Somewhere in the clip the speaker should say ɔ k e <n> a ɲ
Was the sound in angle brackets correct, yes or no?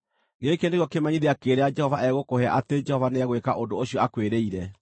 no